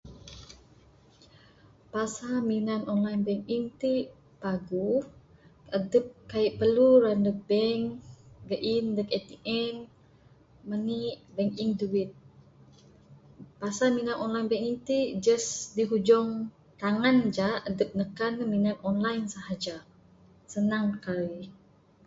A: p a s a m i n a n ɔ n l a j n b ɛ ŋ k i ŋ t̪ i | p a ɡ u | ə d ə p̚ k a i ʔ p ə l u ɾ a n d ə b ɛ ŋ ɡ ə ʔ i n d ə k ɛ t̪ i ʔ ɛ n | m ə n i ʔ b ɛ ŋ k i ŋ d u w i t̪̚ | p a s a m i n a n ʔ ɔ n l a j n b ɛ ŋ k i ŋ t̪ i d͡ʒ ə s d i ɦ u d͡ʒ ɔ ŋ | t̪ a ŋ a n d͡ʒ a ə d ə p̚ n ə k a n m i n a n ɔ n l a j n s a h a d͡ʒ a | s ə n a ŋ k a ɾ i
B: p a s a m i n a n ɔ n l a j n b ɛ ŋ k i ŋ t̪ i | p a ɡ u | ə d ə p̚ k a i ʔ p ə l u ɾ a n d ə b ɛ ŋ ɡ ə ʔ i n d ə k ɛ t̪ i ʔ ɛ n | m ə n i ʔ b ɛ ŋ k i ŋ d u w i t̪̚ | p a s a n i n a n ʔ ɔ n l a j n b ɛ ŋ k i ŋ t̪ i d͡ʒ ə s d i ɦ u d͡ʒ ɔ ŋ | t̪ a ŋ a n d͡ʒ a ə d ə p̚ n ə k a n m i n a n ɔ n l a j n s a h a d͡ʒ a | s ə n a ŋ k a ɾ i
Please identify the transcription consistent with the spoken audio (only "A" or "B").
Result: A